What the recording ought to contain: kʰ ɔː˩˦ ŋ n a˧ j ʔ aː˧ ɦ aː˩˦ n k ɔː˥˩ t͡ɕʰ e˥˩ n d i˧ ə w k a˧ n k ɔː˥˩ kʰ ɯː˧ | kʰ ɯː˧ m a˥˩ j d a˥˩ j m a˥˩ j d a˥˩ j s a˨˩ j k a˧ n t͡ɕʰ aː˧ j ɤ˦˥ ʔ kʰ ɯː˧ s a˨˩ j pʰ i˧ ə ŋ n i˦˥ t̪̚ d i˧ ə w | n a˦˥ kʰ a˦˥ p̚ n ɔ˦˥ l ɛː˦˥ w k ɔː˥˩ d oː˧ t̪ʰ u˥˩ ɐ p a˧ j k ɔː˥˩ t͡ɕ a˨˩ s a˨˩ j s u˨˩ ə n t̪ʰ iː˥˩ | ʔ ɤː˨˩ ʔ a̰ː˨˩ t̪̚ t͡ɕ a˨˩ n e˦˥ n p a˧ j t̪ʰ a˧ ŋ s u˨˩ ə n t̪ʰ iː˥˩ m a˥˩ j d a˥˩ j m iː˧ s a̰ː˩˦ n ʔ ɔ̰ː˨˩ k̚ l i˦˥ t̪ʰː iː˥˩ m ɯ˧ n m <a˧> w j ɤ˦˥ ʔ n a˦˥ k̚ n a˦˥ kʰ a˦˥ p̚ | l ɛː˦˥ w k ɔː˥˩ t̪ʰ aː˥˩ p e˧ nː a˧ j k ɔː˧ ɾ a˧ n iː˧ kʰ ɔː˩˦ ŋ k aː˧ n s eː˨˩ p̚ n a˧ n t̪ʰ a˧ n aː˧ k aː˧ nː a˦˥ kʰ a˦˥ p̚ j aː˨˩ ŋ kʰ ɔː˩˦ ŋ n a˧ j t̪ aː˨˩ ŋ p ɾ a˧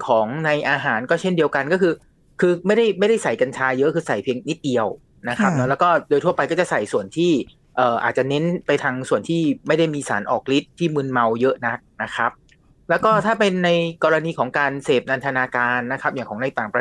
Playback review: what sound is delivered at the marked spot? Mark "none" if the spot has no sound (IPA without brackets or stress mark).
a˧